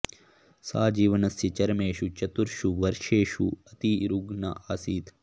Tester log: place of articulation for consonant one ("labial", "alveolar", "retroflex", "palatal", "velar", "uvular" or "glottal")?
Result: alveolar